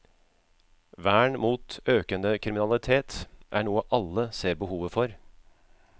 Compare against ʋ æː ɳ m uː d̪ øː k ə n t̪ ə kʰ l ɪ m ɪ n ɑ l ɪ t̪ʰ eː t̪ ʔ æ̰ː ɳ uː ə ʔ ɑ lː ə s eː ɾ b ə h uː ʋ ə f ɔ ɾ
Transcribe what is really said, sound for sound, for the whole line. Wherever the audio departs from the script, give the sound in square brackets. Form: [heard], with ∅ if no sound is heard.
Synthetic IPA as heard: ʋ æː ɳ m uː [t̪] øː k ə n [d̪] ə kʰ [ɾ] ɪ m ɪ n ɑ l ɪ t̪ʰ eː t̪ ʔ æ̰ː ɳ uː ə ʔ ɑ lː ə s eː ɾ b ə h uː ʋ ə f ɔ ɾ